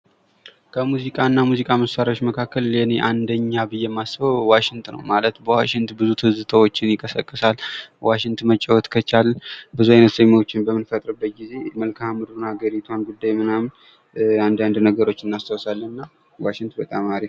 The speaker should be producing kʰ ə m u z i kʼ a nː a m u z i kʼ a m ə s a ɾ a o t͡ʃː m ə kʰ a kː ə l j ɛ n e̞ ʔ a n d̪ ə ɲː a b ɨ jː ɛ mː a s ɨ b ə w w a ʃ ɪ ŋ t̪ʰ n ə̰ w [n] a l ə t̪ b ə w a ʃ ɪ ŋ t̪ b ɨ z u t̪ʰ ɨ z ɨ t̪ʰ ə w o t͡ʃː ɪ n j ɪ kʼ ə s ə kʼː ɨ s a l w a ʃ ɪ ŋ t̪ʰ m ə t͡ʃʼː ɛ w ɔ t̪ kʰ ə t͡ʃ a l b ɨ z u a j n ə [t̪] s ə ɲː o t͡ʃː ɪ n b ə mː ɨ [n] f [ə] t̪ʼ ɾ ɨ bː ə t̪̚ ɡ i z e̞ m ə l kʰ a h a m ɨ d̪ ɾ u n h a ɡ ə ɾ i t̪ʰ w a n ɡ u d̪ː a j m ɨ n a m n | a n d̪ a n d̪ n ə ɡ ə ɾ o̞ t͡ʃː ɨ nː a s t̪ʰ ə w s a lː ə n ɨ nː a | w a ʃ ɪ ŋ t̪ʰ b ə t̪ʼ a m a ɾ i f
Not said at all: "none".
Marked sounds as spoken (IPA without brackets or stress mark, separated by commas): m, t̪, n, ə